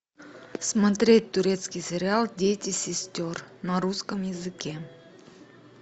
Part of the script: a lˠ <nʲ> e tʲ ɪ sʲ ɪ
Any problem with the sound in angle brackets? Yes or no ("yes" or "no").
yes